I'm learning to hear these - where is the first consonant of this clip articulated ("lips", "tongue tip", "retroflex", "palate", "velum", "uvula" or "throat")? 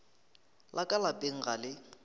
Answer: tongue tip